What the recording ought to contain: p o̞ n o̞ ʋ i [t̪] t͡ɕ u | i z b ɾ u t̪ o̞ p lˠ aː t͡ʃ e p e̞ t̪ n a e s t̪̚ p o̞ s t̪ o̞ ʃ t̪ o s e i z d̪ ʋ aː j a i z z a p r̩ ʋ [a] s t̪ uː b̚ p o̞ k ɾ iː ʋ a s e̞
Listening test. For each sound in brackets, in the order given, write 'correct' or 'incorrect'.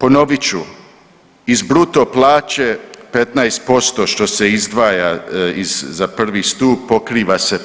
incorrect: none, incorrect: i

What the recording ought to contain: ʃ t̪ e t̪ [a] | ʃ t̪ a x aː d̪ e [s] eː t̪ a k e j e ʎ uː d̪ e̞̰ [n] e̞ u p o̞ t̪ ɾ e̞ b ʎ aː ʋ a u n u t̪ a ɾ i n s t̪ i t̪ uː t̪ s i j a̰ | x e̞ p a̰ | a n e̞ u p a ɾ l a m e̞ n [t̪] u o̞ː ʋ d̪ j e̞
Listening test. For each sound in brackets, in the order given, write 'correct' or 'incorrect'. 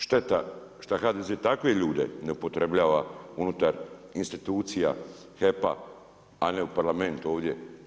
correct, incorrect: z, correct, correct

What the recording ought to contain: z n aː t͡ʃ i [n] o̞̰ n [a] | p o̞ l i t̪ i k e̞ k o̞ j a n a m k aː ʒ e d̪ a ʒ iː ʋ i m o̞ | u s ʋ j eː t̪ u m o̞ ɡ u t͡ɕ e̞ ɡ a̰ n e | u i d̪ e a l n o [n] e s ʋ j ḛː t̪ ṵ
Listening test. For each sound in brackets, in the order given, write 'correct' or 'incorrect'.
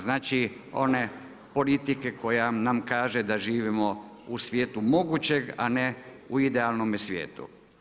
incorrect: none, incorrect: e, incorrect: m

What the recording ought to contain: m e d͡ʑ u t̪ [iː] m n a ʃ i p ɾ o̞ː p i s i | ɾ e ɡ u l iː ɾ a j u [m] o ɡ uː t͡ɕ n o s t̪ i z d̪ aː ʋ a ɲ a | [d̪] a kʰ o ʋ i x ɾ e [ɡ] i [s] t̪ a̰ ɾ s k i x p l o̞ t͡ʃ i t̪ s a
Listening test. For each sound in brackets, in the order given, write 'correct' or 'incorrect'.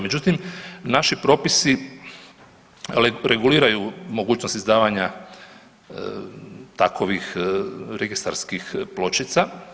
incorrect: i, correct, incorrect: t̪, correct, correct

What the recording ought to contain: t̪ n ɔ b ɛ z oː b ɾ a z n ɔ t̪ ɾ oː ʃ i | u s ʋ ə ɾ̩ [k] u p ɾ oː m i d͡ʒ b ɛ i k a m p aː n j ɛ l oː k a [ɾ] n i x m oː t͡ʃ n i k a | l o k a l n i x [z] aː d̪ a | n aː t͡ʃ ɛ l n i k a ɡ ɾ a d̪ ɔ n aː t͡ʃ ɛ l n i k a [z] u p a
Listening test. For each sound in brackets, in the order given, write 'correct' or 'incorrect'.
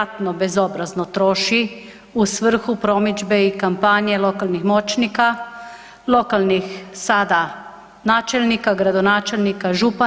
incorrect: x, incorrect: l, incorrect: s, incorrect: ʒ

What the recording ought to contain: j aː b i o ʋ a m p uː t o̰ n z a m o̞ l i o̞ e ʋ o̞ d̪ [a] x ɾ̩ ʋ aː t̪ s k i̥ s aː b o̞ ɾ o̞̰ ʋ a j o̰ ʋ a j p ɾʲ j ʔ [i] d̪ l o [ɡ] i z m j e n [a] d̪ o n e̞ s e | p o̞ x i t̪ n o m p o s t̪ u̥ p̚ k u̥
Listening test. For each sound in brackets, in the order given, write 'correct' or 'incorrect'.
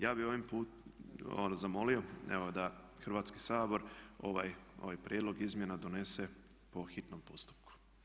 correct, incorrect: e, correct, correct

